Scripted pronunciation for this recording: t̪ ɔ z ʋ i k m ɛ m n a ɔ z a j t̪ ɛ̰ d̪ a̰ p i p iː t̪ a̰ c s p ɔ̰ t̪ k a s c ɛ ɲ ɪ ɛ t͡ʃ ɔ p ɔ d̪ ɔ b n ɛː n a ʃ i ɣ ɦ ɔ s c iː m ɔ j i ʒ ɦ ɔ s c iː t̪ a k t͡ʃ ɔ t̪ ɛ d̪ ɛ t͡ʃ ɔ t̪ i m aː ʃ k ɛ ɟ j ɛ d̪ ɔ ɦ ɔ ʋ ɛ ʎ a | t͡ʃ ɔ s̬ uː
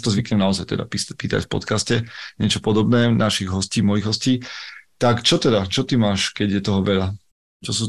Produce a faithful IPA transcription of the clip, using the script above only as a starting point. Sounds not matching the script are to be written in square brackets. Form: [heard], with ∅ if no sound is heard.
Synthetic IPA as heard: t̪ ɔ z ʋ i k [ɲ] ɛ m n a ɔ z a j t̪ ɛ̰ d̪ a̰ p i p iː t̪ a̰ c [f] p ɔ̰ t̪ k a s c ɛ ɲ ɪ ɛ t͡ʃ ɔ p ɔ d̪ ɔ b n ɛː n a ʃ i ɣ ɦ ɔ s c iː m ɔ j i [ɣ] ɦ ɔ s c iː t̪ a k t͡ʃ ɔ t̪ ɛ d̪ [a] t͡ʃ ɔ t̪ i m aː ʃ k ɛ ɟ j ɛ [t̪] ɔ ɦ ɔ ʋ ɛ ʎ a | t͡ʃ ɔ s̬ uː